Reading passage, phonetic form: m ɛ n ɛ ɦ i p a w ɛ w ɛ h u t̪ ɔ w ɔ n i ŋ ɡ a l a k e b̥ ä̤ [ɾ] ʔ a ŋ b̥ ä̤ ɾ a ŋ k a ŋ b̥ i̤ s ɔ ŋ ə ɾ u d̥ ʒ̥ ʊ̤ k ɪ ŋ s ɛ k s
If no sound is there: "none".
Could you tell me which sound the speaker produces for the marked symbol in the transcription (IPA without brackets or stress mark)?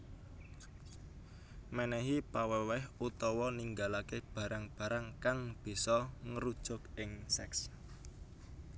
ɾ